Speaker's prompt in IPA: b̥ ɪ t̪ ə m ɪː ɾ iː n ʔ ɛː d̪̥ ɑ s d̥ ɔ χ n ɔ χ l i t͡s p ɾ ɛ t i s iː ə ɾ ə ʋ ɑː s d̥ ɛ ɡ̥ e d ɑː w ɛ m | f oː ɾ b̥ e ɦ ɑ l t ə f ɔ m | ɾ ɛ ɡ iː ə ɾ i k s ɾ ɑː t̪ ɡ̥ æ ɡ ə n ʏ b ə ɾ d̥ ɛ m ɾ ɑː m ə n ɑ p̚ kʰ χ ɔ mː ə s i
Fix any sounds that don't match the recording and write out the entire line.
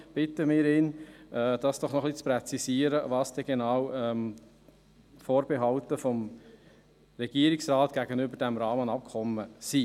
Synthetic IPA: b̥ ɪ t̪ ə m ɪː ɾ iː n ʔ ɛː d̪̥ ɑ s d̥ ɔ χ n ɔ χ l i t͡s p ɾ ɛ t͡s i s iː ə ɾ ə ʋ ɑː s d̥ ɛ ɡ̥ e n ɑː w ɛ m | f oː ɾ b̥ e ɦ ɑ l t ə f ɔ m | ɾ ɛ ɡ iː ə ɾ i k s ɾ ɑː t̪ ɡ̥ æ ɡ ə n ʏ b ə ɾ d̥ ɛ m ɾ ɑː m ə n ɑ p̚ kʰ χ ɔ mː ə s i